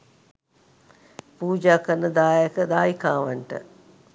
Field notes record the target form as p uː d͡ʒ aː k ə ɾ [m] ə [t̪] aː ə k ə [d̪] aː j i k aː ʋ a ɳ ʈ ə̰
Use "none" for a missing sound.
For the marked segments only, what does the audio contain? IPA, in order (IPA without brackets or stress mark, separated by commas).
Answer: n, d̪, d̪